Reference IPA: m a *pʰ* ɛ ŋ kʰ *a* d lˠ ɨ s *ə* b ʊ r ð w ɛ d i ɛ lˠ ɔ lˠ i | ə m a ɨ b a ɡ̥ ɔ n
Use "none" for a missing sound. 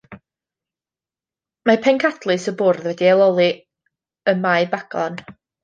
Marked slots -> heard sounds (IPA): pʰ, a, ə

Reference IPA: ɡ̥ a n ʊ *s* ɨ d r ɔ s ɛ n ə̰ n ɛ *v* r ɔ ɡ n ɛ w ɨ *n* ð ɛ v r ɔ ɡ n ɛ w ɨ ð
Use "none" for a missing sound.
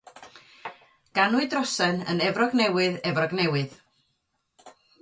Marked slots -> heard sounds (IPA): none, v, none

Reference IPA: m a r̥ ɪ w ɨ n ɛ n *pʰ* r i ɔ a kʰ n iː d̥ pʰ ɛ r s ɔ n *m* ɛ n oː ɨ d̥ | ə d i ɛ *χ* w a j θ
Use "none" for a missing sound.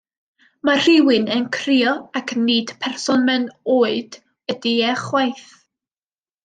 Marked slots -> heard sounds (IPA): kʰ, m, χ

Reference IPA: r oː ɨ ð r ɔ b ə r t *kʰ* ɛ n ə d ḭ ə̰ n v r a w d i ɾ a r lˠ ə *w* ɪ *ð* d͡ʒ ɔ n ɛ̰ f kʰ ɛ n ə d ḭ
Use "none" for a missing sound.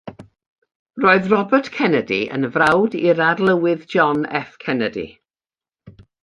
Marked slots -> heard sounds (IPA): kʰ, w, ð

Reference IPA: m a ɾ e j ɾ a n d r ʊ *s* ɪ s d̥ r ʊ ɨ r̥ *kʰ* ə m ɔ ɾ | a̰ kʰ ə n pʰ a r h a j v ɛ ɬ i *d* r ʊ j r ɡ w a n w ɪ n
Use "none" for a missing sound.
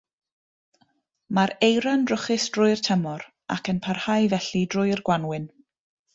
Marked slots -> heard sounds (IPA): χ, tʰ, d

